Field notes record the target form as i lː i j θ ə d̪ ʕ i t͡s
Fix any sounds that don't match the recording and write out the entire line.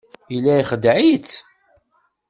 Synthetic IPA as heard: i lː æ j χ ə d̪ ʕ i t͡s